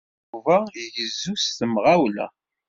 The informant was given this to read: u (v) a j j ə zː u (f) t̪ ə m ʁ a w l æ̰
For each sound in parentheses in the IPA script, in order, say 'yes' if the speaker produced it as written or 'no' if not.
yes, no

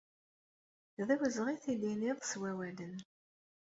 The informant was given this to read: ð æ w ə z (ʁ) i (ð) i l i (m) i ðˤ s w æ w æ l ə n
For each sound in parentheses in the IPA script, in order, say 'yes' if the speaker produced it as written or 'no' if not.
yes, no, no

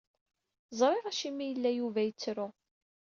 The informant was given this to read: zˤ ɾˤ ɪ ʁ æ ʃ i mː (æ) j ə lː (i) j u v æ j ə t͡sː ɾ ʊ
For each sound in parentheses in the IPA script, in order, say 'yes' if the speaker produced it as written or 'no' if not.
no, no

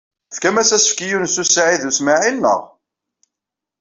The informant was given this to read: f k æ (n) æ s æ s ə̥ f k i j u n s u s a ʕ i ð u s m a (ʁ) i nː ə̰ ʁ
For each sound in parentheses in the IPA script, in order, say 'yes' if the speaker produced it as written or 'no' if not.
no, no

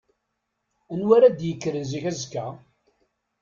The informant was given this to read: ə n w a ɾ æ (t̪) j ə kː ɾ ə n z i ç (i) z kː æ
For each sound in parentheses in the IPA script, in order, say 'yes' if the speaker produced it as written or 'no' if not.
no, no

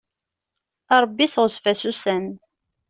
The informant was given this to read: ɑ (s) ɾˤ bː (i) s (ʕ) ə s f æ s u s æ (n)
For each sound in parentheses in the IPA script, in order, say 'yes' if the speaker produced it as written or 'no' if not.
no, yes, no, yes

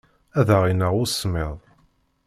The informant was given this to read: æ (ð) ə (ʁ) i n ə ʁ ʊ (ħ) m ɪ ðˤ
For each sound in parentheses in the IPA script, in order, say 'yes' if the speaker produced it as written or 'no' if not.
yes, yes, no

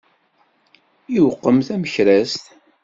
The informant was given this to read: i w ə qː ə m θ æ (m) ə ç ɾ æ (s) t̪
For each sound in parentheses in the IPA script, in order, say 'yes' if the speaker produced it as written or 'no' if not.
yes, yes

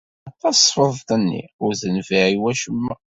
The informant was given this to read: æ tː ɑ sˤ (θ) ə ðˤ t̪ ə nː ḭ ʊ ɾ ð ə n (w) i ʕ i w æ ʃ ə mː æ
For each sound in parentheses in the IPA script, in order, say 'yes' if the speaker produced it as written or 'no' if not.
no, no

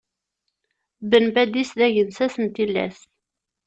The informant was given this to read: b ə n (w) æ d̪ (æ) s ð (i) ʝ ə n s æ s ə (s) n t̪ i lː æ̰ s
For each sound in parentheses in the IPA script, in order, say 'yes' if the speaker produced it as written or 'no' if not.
no, no, no, no

